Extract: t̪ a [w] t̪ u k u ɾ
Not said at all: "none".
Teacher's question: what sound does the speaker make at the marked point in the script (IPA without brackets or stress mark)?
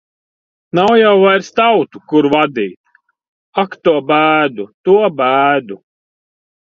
w